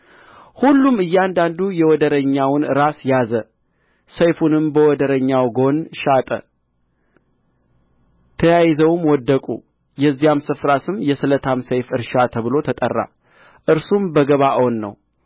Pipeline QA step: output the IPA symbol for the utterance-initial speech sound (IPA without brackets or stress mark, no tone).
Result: h